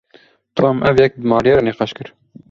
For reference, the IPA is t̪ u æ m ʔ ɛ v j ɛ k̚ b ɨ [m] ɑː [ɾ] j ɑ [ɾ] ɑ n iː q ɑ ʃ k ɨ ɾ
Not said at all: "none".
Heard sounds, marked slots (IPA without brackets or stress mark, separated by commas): m, ɾ, ɾ